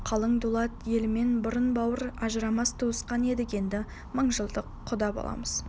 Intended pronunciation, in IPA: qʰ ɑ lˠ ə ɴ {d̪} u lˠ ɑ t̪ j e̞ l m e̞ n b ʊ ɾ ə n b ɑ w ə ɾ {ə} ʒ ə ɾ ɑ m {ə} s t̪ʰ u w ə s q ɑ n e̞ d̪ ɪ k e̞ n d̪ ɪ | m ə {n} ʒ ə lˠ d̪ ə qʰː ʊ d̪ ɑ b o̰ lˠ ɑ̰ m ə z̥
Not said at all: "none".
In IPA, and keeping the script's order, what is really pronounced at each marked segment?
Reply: d̪, ɑ, ɑ, ɴ

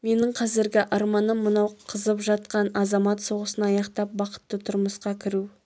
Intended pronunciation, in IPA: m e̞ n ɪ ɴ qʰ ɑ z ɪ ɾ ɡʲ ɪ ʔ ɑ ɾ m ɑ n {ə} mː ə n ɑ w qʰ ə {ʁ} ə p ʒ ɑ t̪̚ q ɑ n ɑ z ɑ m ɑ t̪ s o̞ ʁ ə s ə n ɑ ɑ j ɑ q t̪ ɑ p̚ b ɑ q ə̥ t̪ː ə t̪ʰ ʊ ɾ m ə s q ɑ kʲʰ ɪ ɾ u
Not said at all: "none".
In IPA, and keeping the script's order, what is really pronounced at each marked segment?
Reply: ə, z

